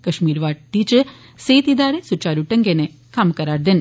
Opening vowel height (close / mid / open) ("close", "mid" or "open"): open